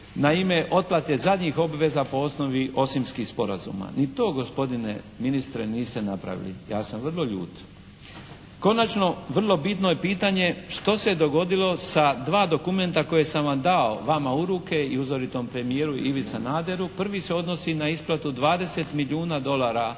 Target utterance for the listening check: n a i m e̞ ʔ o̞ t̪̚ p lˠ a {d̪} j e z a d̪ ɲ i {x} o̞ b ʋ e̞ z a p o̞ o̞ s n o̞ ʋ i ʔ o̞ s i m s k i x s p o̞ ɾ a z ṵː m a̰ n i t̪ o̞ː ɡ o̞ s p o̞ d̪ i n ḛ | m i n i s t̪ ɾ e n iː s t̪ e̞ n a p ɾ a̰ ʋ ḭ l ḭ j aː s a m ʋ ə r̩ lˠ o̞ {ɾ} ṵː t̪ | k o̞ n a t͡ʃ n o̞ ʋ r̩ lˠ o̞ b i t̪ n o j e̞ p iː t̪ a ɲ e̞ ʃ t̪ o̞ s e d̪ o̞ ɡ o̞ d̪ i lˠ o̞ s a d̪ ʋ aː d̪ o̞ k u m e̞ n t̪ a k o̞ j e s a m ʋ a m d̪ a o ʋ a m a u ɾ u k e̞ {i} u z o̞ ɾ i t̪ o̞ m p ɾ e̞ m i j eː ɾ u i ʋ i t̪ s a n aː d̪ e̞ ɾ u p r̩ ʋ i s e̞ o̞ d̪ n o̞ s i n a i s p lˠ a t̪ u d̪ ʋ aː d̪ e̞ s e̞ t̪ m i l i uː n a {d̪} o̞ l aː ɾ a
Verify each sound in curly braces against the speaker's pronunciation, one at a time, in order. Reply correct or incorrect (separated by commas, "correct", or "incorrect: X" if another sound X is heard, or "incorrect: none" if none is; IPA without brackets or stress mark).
incorrect: t̪, correct, incorrect: ʎ, correct, correct